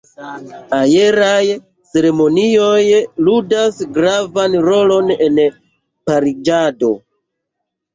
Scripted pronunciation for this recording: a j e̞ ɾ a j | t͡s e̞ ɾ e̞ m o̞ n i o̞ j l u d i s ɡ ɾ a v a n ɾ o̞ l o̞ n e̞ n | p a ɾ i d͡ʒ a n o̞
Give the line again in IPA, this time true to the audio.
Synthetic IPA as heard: a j e̞ ɾ a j | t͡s e̞ ɾ e̞ m o̞ n i o̞ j l u d a s ɡ ɾ a v a n ɾ o̞ l o̞ n e̞ n | p a ɾ i d͡ʒ a d o̞